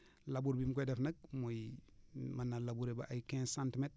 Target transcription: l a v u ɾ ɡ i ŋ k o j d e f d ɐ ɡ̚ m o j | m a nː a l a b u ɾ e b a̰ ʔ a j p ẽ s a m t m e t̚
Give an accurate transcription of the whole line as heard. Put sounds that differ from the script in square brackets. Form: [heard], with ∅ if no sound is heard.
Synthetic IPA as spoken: l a [b] u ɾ [b] i [m] k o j d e f [n] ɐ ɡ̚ m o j | m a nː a l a b u ɾ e b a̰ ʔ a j [k] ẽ s a [n] t m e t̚